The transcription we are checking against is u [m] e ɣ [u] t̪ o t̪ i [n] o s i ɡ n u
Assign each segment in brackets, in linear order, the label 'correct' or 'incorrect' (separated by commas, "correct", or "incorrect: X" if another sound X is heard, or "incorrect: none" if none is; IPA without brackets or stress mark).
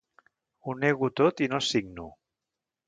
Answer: incorrect: n, correct, correct